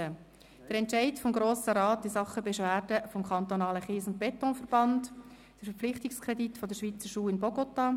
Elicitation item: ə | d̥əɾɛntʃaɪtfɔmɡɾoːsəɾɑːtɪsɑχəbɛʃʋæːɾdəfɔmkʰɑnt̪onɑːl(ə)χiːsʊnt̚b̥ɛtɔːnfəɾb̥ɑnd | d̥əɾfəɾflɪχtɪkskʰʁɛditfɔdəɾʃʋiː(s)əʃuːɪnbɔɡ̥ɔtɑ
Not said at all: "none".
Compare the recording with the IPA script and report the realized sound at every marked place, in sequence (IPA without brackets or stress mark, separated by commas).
ə, t͡s